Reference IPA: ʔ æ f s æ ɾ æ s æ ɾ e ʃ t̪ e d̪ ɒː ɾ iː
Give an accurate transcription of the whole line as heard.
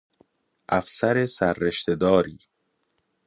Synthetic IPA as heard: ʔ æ f s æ ɾ e s æ ɾː e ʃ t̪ e d̪ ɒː ɾ iː